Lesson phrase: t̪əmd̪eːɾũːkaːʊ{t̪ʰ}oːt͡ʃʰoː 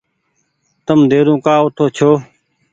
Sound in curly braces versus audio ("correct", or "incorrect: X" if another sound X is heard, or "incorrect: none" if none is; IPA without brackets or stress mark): correct